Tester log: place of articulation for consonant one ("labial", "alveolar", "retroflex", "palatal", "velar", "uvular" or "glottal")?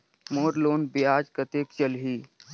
labial